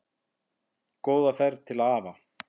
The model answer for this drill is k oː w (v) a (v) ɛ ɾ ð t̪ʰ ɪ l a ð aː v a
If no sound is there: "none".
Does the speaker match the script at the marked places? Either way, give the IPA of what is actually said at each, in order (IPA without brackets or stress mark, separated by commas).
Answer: ð, f